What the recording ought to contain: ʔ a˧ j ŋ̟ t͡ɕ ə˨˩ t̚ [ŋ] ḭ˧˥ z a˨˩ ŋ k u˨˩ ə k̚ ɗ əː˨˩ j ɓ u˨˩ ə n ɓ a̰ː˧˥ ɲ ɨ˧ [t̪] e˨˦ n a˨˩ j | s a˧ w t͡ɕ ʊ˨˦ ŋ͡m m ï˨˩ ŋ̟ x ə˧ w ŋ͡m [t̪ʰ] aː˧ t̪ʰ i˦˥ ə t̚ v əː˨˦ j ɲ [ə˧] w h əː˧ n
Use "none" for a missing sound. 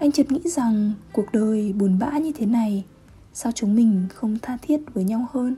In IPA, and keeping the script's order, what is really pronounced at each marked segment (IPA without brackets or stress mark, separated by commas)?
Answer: ŋ, t̪ʰ, t̪ʰ, a˧